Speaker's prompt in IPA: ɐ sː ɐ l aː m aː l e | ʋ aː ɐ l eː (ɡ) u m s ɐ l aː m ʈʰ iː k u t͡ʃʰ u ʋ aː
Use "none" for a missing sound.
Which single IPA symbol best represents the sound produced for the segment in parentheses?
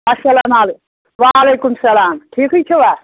k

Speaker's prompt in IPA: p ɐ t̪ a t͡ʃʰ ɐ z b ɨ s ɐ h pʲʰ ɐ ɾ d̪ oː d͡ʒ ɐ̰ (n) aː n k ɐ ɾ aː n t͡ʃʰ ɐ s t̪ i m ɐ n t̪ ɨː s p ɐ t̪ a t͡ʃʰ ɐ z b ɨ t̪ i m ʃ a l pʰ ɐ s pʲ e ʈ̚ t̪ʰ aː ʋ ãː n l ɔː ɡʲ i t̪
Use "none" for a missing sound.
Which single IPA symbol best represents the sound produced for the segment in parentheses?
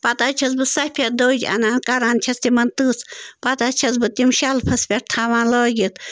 n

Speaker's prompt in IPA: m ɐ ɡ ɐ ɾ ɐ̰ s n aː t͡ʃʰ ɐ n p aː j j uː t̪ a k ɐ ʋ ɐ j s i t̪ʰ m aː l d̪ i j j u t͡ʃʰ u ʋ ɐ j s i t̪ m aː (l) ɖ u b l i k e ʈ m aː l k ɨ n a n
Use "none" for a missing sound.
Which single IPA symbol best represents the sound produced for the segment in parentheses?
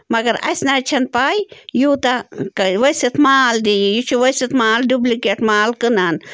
l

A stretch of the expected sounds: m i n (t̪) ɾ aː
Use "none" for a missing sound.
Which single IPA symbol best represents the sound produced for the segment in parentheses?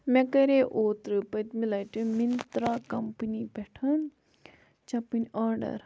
t̪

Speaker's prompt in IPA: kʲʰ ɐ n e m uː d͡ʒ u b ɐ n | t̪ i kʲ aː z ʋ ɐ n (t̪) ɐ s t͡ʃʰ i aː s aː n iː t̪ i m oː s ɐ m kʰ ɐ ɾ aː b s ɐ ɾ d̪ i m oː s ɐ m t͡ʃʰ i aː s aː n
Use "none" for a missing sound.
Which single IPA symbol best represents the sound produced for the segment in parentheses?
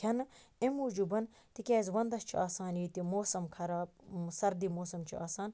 d̪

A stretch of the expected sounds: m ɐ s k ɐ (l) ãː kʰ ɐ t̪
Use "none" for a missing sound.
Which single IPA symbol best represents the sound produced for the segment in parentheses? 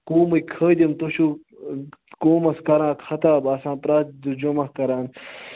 ɾ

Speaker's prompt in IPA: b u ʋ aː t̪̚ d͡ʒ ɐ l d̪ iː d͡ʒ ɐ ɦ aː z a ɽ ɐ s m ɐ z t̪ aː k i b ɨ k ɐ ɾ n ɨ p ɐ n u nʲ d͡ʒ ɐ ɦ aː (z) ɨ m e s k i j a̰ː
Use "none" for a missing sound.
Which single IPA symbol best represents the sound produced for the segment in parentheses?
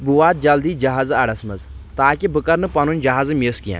z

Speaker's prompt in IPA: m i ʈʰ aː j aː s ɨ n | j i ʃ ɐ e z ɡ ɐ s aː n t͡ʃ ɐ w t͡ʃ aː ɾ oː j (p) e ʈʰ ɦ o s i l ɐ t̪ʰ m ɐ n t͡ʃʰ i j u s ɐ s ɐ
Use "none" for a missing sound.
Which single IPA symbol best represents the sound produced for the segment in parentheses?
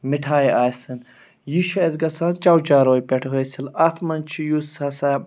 p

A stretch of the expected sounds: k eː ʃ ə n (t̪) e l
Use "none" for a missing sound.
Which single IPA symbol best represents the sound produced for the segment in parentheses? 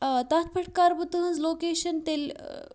t̪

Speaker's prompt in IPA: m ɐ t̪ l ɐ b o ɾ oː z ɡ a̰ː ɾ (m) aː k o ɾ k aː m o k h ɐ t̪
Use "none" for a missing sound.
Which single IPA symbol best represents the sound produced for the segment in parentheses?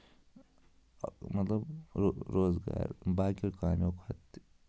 b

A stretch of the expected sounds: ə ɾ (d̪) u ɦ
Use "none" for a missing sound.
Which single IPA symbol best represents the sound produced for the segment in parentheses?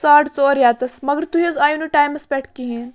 t̪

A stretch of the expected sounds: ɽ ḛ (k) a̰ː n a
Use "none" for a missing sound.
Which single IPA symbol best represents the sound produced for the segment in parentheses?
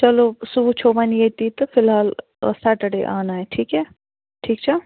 ʔ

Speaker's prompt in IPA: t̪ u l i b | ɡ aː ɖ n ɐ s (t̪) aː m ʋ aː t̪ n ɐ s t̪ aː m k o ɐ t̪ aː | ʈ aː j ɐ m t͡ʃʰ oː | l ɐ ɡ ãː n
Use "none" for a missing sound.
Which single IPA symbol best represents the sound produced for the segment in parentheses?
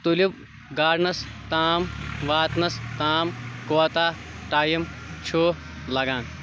t̪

